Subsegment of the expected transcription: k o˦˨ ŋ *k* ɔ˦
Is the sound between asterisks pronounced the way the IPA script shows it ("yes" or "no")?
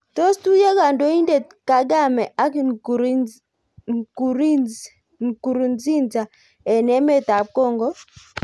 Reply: no